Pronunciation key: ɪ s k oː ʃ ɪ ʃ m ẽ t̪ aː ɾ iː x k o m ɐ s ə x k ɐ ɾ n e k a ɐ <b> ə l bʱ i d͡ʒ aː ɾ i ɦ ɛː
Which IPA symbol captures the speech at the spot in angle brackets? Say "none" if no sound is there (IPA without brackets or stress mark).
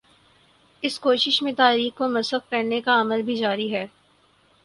m